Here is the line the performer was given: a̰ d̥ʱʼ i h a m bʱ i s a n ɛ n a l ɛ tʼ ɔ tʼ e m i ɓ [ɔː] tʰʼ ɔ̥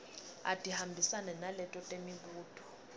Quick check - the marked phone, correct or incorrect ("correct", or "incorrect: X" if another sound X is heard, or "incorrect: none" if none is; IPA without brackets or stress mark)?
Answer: incorrect: uː